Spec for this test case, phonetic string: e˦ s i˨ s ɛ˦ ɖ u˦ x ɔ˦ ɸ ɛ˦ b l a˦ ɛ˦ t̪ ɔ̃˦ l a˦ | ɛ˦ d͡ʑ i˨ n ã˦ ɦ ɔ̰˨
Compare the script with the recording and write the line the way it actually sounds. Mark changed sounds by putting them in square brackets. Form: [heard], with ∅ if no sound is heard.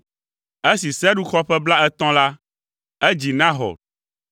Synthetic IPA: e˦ s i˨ s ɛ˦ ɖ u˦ x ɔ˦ ɸ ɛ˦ b l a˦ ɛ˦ t̪ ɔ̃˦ l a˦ | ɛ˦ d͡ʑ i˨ n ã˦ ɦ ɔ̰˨